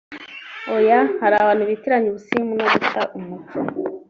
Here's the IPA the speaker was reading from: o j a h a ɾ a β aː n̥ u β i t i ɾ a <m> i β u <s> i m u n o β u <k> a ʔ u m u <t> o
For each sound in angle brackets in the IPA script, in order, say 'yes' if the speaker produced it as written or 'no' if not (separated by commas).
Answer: no, yes, no, no